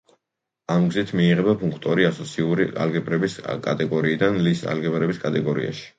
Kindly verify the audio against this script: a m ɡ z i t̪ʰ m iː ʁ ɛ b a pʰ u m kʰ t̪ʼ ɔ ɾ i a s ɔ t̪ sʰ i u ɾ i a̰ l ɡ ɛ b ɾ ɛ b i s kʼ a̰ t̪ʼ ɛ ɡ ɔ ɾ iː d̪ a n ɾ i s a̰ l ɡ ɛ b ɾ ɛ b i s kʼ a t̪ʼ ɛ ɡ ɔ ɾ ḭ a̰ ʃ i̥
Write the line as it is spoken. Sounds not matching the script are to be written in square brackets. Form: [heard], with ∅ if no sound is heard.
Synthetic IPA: a m ɡ z i t̪ʰ m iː ʁ ɛ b a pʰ u [ŋ] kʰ t̪ʼ ɔ ɾ i a s ɔ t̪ sʰ i u ɾ i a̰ l ɡ ɛ b ɾ ɛ b i s kʼ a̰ t̪ʼ ɛ ɡ ɔ ɾ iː d̪ a n [l] i s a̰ l ɡ ɛ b ɾ ɛ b i s kʼ a t̪ʼ ɛ ɡ ɔ ɾ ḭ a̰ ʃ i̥